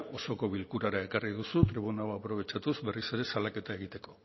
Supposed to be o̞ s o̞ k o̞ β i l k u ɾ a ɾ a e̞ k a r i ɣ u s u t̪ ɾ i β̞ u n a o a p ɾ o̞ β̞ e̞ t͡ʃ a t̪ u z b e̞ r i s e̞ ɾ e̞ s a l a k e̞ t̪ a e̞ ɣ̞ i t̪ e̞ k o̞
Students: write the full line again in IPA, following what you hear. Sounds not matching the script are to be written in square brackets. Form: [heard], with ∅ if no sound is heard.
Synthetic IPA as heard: o̞ s o̞ k o̞ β i l k u ɾ a ɾ a e̞ k a r i [ð] u s u t̪ ɾ i β̞ u n a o a p ɾ o̞ β̞ e̞ t͡ʃ a t̪ u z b e̞ r i s e̞ ɾ e̞ s a l a k e̞ t̪ a e̞ ɣ̞ i t̪ e̞ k o̞